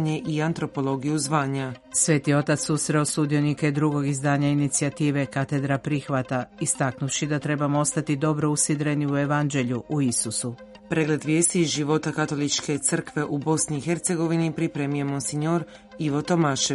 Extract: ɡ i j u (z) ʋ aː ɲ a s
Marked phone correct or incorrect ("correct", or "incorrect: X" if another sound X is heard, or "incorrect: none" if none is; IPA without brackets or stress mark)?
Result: correct